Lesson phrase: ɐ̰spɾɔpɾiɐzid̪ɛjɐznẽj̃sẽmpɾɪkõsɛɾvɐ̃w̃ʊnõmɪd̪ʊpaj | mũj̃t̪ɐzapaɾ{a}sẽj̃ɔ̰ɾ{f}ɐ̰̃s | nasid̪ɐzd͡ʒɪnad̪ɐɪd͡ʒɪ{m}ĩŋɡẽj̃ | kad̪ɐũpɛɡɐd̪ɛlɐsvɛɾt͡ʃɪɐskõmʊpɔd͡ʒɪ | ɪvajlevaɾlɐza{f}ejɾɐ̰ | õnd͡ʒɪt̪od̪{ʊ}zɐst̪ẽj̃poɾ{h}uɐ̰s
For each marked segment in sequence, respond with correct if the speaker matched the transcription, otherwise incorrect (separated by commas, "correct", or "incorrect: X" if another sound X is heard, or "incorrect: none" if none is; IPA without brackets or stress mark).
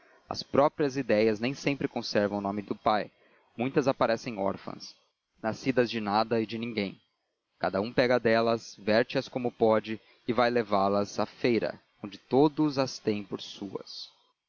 incorrect: ɛ, correct, incorrect: n, correct, correct, incorrect: s